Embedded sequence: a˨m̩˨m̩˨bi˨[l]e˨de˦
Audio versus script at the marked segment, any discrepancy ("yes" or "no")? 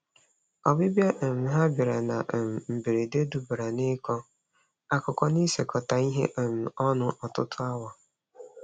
yes